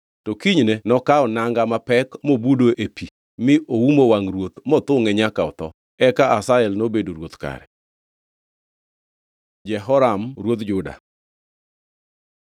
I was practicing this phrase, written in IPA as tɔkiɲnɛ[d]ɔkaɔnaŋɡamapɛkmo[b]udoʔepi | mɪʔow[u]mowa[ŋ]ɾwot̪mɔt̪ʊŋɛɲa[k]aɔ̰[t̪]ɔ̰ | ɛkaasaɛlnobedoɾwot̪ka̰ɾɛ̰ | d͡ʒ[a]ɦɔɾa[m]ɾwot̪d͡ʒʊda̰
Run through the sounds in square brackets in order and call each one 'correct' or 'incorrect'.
incorrect: n, correct, correct, correct, correct, correct, incorrect: ɛ, correct

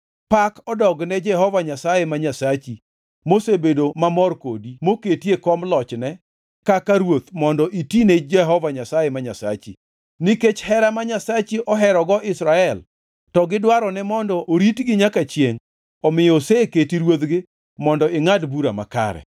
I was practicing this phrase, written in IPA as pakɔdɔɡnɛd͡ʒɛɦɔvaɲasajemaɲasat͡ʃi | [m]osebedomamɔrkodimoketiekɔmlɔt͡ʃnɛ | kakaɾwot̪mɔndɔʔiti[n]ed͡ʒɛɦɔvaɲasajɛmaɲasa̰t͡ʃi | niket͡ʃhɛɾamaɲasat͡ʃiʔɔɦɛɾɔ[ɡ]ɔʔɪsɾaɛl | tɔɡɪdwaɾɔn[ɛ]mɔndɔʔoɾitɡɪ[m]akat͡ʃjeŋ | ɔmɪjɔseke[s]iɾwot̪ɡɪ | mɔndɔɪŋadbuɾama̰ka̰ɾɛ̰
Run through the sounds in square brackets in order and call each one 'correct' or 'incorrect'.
correct, correct, correct, correct, incorrect: ɲ, incorrect: t

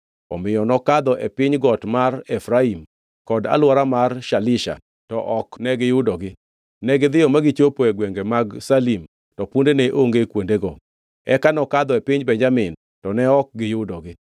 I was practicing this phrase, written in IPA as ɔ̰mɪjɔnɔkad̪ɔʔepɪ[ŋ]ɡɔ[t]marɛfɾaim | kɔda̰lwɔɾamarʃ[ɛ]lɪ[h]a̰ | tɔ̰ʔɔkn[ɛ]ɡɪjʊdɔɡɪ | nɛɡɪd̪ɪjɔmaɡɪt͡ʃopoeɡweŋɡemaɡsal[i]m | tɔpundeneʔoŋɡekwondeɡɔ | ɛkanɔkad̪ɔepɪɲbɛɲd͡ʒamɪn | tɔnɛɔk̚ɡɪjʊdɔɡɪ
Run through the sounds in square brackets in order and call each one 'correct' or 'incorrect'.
incorrect: ɲ, correct, incorrect: a, incorrect: ʃ, correct, correct

